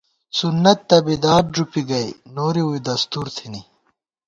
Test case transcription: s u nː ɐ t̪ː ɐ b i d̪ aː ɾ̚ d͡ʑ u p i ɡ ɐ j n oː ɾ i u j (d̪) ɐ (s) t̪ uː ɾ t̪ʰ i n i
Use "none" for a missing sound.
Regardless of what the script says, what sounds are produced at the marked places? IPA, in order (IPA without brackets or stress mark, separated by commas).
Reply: d̪, s